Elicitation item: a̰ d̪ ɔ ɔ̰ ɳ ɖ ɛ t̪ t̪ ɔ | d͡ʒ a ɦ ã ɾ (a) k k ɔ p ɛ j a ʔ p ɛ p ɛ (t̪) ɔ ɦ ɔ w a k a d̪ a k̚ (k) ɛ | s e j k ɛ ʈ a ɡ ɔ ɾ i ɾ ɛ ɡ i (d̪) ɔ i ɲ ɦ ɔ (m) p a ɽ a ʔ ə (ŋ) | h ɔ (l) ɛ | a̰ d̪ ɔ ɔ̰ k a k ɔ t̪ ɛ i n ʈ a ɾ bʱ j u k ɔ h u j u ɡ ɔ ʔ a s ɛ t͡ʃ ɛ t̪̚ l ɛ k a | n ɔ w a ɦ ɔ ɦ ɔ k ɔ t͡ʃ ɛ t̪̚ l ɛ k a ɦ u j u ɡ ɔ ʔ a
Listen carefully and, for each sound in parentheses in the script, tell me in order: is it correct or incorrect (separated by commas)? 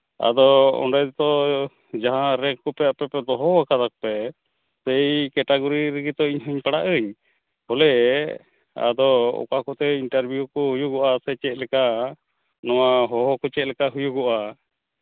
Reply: incorrect, incorrect, incorrect, incorrect, incorrect, incorrect, correct